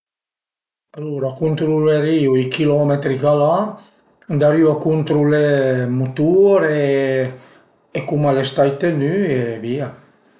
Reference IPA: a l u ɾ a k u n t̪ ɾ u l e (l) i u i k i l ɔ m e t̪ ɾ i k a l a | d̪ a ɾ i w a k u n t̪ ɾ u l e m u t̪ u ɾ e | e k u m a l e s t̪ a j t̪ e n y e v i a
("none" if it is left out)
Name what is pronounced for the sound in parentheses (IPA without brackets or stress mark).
ɾ